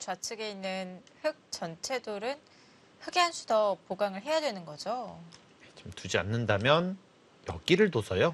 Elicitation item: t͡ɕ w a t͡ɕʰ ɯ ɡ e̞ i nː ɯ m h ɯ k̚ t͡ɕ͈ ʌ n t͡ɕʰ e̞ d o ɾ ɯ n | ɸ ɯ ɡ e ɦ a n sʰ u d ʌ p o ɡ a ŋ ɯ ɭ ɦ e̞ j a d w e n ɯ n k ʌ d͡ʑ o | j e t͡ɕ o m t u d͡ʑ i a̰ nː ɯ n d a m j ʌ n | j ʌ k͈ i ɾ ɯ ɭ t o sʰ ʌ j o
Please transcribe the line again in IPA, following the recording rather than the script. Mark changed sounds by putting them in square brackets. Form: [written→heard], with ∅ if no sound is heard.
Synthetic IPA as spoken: t͡ɕ w a t͡ɕʰ ɯ ɡ e̞ i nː ɯ [m→n] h ɯ k̚ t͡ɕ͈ ʌ n t͡ɕʰ e̞ d o ɾ ɯ n | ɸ ɯ ɡ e ɦ a n sʰ u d ʌ p o ɡ a ŋ ɯ ɭ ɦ e̞ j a d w e n ɯ n [k→ɡ] ʌ d͡ʑ o | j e t͡ɕ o m t u d͡ʑ i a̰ nː ɯ n d a m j ʌ n | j ʌ k͈ i ɾ ɯ ɭ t o sʰ ʌ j o